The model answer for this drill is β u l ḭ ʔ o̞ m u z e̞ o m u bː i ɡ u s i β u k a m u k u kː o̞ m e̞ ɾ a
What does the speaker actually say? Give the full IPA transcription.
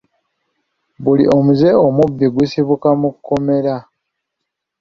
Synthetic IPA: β u l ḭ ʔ o̞ m u z e̞ o m u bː i ɡ u s i β u k a m u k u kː o̞ m e̞ ɾ a